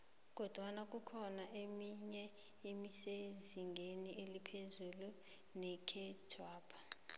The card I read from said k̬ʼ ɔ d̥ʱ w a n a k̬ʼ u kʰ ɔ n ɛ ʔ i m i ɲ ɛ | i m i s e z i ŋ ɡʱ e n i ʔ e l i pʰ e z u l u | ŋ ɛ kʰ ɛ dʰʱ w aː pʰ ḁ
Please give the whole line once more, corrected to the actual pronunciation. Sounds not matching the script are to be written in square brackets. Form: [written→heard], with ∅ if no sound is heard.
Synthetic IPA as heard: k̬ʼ ɔ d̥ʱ w a n a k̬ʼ u kʰ ɔ n [ɛ→a] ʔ [i→e] m i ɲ ɛ | i m i s e z i ŋ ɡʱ e n i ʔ e l i pʰ e z u l u | [ŋ→n] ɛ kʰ ɛ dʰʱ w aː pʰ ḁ